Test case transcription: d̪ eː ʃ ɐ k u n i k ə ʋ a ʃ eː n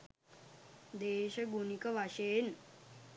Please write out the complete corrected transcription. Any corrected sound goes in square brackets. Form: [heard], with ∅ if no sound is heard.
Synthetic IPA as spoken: d̪ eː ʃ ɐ [ɡ] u n i k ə ʋ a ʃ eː n